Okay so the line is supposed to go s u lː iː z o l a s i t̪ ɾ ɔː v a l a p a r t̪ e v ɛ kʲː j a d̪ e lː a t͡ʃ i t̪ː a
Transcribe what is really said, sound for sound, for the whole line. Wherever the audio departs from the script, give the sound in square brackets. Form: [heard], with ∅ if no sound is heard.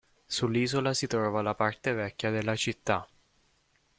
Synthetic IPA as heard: s u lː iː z o l a s i t̪ ɾ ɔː v a l a p a r t̪ e v ɛ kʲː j a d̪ e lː a t͡ʃ i t̪ː a